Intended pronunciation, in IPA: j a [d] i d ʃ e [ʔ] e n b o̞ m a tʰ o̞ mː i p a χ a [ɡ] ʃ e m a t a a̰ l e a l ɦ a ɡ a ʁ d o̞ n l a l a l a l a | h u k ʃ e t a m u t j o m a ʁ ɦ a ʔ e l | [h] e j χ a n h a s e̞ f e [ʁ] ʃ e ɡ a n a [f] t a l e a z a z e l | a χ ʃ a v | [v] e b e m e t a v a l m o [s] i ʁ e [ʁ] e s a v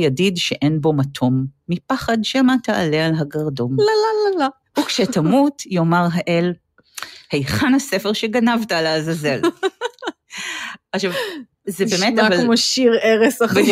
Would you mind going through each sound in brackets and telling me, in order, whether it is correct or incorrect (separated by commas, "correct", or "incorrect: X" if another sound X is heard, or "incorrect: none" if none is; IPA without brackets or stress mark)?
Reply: correct, correct, incorrect: d, correct, correct, incorrect: v, incorrect: z, incorrect: ʃ, correct